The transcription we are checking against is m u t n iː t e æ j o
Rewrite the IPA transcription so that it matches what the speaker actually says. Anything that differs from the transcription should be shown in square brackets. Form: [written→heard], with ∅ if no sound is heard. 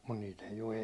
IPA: m u t n iː t e [æ→i] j o